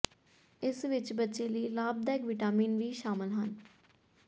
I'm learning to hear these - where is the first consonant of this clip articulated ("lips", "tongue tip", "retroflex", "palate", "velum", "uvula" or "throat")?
tongue tip